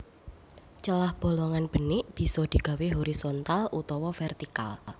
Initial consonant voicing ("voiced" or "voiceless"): voiceless